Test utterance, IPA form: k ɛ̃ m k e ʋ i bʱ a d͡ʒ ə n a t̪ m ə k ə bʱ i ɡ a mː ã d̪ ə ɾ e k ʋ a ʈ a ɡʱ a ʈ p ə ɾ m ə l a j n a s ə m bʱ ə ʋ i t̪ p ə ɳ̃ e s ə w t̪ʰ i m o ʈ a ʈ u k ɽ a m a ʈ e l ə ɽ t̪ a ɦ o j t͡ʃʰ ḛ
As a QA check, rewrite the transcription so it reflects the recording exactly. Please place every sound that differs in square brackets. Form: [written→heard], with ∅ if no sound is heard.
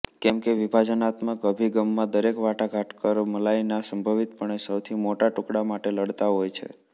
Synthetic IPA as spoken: k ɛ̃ m k e ʋ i bʱ a d͡ʒ ə n a t̪ m ə k ə bʱ i ɡ [a→ə] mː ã d̪ ə ɾ e k ʋ a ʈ a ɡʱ a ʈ [p→k] ə ɾ m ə l a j n a s ə m bʱ ə ʋ i t̪ p ə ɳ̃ e s ə w t̪ʰ i m o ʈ a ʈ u k ɽ a m a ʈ e l ə ɽ t̪ a ɦ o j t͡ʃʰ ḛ